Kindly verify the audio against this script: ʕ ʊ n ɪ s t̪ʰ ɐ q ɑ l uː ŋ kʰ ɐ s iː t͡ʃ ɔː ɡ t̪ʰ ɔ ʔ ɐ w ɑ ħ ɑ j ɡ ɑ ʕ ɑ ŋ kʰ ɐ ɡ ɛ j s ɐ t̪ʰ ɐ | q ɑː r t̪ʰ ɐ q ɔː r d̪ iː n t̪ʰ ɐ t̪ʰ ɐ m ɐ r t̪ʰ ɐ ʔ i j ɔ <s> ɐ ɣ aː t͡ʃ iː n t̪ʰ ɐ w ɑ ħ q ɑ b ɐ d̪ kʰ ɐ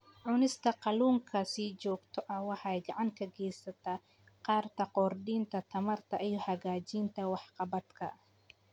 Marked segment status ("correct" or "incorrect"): incorrect